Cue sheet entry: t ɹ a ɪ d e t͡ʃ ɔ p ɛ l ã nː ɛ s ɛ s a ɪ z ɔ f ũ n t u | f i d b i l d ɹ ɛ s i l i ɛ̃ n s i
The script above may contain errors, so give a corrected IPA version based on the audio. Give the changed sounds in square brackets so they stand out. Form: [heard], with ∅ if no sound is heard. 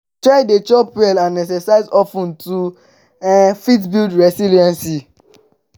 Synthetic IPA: t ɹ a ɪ d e t͡ʃ ɔ p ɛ l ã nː ɛ s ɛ s a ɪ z ɔ f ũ n t u | f i [t] b i l d ɹ ɛ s i l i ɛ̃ n s i